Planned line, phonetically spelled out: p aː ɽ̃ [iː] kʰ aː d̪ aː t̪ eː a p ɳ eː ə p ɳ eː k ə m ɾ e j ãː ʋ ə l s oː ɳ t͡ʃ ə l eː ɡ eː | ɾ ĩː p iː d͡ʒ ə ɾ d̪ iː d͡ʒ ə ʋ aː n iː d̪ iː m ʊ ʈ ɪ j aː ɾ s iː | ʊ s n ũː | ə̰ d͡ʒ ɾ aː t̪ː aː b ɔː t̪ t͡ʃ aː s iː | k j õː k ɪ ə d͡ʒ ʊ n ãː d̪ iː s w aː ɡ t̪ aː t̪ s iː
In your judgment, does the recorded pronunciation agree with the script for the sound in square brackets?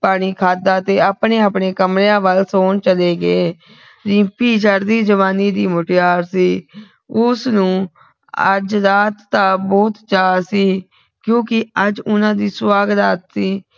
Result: yes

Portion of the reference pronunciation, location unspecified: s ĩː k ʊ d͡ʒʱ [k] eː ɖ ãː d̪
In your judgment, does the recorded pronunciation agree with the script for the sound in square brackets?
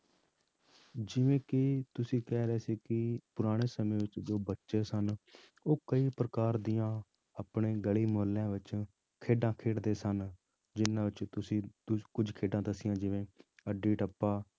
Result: no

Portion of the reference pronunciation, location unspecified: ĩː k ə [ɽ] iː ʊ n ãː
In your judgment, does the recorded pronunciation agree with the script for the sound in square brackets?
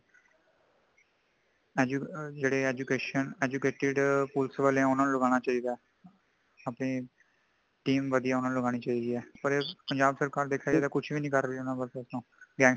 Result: no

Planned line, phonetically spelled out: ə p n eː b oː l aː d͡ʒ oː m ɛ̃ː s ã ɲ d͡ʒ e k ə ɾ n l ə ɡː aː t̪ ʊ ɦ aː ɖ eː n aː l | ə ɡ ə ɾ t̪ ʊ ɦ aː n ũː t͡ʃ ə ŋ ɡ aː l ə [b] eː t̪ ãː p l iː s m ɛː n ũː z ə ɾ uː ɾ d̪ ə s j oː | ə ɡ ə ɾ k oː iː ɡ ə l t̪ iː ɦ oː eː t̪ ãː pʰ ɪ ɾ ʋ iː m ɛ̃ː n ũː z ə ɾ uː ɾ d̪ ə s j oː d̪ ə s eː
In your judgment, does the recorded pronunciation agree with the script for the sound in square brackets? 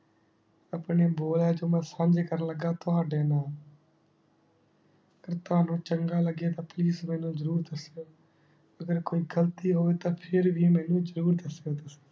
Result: no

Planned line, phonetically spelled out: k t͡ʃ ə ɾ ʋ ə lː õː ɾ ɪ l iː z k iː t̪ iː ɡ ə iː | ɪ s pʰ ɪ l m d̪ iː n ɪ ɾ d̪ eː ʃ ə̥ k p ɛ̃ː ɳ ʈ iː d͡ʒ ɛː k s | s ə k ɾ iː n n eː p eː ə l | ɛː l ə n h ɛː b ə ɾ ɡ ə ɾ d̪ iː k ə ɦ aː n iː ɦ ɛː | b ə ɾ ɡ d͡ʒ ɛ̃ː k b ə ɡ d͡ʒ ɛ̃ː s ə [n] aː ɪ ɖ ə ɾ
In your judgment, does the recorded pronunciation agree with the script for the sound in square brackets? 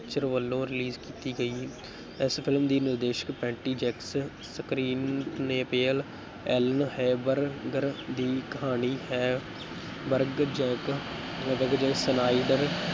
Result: yes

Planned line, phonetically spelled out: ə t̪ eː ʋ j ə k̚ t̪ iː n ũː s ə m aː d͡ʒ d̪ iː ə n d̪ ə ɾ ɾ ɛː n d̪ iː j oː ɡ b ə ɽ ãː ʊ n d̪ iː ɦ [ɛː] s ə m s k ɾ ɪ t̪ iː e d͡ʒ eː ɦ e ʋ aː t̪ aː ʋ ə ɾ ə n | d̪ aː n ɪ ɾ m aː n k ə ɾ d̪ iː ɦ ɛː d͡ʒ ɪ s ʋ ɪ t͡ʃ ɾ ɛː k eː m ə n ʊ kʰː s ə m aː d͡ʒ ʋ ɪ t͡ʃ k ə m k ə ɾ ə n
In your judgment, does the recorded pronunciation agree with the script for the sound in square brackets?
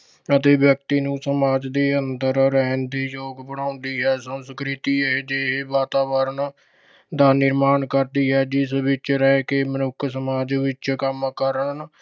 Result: yes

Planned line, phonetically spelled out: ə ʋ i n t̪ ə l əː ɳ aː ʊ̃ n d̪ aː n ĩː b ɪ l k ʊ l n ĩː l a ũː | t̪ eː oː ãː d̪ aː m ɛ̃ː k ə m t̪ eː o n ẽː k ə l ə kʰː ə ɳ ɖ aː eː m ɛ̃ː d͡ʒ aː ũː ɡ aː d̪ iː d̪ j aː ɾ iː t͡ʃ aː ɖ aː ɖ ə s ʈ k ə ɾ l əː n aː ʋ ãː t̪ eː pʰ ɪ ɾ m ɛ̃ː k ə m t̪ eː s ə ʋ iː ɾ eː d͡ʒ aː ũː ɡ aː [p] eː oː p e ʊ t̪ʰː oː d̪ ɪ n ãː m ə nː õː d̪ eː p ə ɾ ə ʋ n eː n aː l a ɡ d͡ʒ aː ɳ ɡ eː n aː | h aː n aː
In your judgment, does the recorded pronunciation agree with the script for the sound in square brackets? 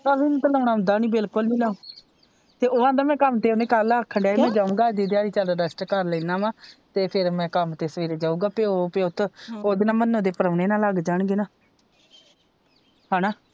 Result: yes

